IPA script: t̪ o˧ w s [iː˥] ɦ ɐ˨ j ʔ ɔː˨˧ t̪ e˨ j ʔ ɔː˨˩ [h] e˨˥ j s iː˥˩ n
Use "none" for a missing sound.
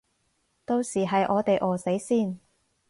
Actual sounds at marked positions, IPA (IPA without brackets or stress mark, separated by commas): iː˨˩, s